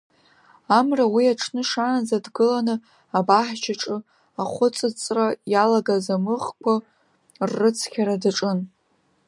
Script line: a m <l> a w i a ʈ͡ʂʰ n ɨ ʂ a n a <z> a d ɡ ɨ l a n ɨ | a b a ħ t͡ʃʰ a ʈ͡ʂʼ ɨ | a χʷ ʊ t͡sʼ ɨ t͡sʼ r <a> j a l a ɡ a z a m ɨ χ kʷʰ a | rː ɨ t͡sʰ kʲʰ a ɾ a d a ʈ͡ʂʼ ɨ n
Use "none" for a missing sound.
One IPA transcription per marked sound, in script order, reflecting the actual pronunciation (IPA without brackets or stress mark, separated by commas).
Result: r, z, a